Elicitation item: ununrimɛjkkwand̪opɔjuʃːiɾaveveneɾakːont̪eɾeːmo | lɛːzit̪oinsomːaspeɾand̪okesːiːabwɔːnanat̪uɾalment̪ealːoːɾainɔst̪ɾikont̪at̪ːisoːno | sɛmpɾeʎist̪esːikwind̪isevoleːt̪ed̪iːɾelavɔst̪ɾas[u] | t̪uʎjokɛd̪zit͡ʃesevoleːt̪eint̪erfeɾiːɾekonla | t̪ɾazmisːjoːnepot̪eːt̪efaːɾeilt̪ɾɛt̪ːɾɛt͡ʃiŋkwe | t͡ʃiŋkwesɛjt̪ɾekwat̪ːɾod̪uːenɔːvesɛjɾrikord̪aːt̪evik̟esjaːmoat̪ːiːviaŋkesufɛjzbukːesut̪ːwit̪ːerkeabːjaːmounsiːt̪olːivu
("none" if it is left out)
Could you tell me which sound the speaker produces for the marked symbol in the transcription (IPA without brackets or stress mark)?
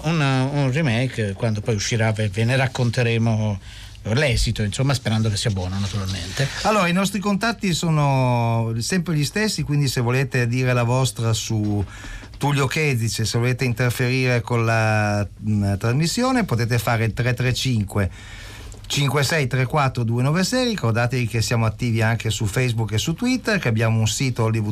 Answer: u